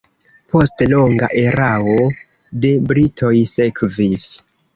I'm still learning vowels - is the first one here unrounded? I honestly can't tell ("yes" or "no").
no